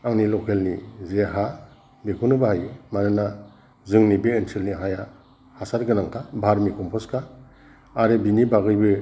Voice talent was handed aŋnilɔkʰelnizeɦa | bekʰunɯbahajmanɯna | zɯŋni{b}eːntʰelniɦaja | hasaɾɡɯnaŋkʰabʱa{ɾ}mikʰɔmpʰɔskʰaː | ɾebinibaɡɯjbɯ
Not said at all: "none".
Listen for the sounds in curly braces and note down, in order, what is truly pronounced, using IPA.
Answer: b, ɾ

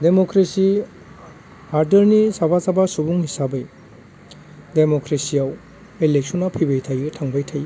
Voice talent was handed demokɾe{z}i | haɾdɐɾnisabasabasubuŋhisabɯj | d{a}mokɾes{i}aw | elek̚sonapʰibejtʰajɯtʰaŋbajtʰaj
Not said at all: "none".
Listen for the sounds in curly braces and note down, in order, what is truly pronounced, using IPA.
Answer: s, e, i

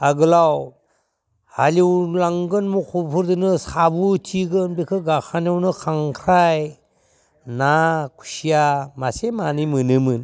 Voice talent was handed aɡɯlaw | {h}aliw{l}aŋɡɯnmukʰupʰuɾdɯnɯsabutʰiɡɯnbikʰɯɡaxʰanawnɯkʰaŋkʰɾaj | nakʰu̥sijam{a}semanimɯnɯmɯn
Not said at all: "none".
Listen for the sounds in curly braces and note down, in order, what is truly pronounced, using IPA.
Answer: h, l, a

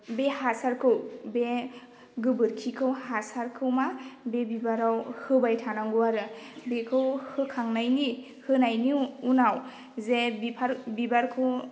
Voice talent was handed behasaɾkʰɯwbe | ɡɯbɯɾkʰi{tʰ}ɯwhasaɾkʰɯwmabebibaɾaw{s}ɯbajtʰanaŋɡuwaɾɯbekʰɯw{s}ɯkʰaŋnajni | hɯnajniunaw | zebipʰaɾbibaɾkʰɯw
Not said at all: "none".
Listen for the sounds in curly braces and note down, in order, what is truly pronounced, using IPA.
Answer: kʰ, h, h

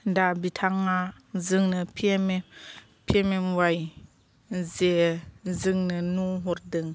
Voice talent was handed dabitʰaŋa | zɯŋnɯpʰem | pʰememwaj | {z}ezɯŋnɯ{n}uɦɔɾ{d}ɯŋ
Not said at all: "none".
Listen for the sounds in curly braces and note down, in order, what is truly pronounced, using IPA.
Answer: z, n, d

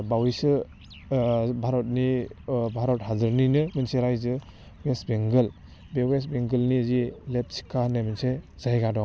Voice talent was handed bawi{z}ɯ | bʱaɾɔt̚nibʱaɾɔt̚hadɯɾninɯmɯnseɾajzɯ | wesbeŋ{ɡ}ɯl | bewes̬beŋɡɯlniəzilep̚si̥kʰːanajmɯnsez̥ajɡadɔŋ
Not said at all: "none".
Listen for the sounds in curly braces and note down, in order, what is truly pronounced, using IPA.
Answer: s, ɡ

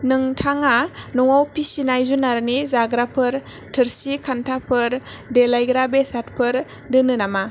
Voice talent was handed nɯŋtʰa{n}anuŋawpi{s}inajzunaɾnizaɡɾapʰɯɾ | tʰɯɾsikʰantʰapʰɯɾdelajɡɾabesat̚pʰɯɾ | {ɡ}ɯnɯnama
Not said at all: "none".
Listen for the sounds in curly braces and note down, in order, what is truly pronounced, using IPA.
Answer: ŋ, s, d

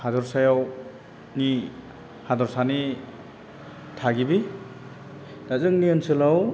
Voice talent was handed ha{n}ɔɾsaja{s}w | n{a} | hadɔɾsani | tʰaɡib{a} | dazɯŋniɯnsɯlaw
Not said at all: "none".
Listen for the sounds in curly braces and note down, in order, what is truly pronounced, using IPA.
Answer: d, none, i, i

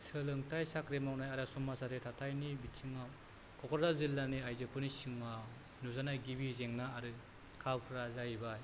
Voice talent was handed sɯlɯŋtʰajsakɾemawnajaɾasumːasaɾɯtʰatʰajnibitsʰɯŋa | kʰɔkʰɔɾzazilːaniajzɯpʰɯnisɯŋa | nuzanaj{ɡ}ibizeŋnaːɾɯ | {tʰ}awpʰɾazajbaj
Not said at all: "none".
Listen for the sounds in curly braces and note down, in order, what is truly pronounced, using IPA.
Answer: ɡ, kʰ

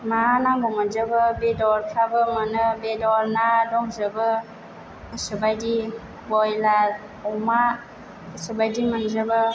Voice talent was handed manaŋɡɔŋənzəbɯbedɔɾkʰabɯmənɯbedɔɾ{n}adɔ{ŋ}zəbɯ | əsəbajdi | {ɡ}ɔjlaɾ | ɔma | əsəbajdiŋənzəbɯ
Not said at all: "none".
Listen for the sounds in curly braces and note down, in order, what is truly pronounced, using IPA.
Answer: n, ŋ, b

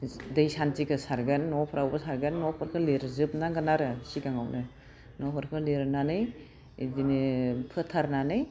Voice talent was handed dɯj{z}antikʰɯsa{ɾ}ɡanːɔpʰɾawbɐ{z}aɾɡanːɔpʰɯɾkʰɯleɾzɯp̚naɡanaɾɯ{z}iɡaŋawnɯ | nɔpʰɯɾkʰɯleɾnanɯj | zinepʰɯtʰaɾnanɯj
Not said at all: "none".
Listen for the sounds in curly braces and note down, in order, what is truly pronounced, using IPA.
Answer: s, ɾ, s, s

